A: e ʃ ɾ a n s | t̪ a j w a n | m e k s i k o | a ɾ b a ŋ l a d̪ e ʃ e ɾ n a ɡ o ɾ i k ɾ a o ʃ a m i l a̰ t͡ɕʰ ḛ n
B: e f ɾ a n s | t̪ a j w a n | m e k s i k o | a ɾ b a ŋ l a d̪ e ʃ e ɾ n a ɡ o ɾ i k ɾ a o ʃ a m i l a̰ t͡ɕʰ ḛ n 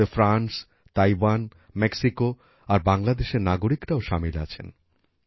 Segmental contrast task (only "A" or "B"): B